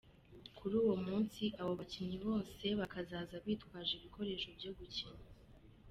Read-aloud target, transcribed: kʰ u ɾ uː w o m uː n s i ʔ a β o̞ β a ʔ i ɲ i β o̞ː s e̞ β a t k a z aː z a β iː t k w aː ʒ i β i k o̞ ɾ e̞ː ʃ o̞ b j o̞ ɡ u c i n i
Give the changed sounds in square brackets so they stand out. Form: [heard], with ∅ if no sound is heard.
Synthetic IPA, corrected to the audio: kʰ u ɾ uː w o m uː n s i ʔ a β o̞ β a [c] i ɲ i β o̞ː s e̞ β a [∅] k a z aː z a β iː t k w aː ʒ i β i k o̞ ɾ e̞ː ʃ o̞ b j o̞ ɡ u c i [ɲ] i